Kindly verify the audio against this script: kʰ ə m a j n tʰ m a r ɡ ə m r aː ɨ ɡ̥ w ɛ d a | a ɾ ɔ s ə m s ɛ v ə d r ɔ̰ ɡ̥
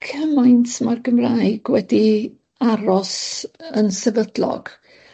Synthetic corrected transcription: kʰ ə m a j n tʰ m a r ɡ ə m r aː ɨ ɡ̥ w ɛ d i | a ɾ ɔ s ə n s ɛ v ə d l ɔ̰ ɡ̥